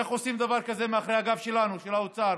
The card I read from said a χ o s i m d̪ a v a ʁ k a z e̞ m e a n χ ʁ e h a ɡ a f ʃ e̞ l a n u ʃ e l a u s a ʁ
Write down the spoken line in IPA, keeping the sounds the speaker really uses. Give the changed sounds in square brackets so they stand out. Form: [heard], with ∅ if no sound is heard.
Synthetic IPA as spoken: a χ o s i m d̪ a v a ʁ k a z e̞ m e a [∅] χ ʁ e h a ɡ a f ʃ e̞ l a n u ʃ e l a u [t͡s] a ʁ